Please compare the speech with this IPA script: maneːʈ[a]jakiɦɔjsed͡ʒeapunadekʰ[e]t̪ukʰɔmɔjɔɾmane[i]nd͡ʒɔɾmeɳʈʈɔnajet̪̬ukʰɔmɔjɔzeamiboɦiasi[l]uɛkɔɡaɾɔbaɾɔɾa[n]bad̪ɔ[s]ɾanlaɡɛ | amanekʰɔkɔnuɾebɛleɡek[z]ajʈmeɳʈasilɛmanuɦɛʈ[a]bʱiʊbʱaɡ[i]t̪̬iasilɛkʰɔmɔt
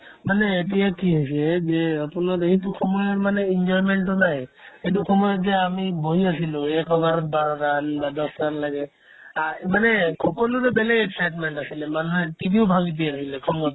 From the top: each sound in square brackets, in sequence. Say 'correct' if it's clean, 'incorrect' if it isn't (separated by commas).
incorrect, incorrect, correct, correct, correct, correct, incorrect, incorrect, correct